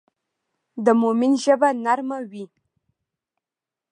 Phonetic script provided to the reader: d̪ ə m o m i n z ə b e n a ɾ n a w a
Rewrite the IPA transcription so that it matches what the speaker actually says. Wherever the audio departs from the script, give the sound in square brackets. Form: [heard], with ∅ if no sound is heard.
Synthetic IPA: d̪ ə m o m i n [ʒ] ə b [a] n a ɾ [m] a w [i]